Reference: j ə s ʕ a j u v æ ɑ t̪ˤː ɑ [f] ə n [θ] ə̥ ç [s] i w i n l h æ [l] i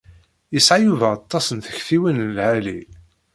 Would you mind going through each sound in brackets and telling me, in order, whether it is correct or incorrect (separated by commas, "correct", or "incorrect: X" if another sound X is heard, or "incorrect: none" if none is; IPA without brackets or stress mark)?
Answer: incorrect: s, correct, incorrect: θ, correct